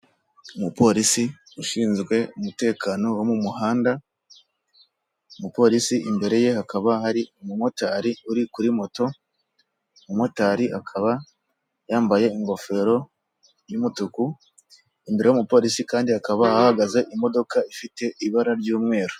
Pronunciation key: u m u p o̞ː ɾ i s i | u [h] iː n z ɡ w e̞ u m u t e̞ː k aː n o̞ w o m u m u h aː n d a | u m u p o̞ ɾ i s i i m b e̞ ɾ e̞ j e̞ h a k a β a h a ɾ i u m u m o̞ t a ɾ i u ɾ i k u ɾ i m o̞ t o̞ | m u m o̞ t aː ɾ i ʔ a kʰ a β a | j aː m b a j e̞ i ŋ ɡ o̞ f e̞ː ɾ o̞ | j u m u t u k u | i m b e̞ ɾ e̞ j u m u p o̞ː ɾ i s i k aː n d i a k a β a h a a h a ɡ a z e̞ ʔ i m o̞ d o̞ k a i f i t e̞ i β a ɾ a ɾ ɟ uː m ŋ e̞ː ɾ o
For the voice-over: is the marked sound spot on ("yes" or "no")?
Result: no